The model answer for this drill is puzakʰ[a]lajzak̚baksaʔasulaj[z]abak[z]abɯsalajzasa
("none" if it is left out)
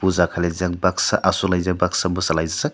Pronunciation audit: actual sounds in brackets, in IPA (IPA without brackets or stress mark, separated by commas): a, z, s